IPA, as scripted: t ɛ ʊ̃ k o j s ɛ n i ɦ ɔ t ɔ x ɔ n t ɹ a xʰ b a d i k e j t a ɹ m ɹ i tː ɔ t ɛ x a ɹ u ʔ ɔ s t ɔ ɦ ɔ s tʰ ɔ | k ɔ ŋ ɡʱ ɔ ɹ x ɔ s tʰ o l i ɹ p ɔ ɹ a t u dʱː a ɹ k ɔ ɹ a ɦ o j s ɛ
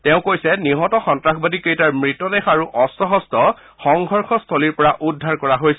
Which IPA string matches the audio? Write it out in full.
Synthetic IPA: t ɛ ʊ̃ k o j s ɛ n i ɦ ɔ t ɔ x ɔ n t ɹ a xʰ b a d i k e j t a ɹ m ɹ i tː ɔ d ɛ x a ɹ u ʔ ɔ s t ɔ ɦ ɔ s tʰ ɔ | x ɔ ŋ ɡʱ ɔ ɹ x ɔ s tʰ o l i ɹ p ɔ ɹ a ʔ u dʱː a ɹ k ɔ ɹ a ɦ o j s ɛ